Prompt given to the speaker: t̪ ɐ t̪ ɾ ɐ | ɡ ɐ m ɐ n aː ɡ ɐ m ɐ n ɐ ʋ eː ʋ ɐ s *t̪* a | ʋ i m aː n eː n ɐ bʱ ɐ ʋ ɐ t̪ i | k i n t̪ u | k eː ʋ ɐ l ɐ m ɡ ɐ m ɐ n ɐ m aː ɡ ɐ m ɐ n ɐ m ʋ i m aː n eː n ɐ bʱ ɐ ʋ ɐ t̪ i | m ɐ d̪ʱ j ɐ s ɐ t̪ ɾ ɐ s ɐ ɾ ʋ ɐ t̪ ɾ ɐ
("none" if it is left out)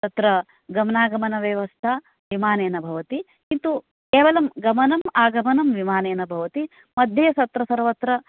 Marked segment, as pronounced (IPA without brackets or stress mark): t̪ʰ